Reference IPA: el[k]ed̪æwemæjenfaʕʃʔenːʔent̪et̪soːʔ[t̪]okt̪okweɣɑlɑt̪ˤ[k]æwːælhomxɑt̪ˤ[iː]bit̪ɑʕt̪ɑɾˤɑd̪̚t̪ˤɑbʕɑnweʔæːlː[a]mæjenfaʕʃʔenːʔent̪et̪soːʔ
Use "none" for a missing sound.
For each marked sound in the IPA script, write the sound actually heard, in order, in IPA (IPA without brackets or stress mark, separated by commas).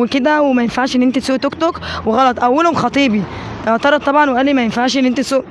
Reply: k, t̪, ʔ, iː, i